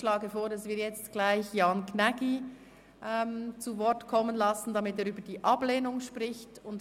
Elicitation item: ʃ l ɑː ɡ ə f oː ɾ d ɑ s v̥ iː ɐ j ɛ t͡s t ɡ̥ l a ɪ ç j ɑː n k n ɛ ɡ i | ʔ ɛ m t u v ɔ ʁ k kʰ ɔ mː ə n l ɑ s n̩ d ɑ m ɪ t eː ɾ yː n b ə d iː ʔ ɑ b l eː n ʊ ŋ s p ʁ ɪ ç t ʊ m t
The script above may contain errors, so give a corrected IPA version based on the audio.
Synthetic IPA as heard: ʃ l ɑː ɡ ə f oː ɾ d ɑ s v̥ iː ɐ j ɛ t͡s t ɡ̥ l a ɪ ç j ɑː n k n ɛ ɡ i | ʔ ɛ m t͡s u v ɔ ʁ t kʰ ɔ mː ə n l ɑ s n̩ d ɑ m ɪ t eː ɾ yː b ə d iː ʔ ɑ b l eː n ʊ ŋ ʃ p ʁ ɪ ç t ʊ n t